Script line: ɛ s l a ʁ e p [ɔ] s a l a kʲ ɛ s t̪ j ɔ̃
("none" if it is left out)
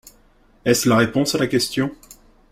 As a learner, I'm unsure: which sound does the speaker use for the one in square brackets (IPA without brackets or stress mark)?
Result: ɔ̃